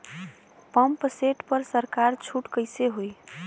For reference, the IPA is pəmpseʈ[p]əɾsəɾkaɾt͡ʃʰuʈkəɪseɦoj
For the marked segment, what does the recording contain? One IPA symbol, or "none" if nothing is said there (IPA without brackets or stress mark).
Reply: p